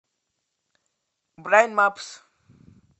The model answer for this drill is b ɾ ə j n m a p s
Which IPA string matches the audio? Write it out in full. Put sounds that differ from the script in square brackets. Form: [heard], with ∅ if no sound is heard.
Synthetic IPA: b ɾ [a] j n m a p s